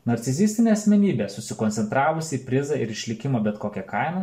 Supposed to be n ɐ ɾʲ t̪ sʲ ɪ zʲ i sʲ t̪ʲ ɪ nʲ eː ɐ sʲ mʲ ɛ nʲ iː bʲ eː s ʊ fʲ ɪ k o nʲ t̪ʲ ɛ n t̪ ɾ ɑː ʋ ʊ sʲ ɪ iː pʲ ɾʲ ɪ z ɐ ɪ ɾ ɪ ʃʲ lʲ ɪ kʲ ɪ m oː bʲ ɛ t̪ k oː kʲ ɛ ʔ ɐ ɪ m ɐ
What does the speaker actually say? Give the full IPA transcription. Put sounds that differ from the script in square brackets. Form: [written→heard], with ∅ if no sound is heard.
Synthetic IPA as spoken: n ɐ ɾʲ t̪ sʲ ɪ zʲ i sʲ t̪ʲ ɪ nʲ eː ɐ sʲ mʲ ɛ nʲ iː bʲ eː s ʊ [fʲ→sʲ] ɪ k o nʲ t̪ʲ ɛ n t̪ ɾ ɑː ʋ ʊ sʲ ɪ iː pʲ ɾʲ ɪ z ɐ ɪ ɾ ɪ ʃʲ lʲ ɪ kʲ ɪ m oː bʲ ɛ t̪ k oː kʲ ɛ [ʔ→k] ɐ ɪ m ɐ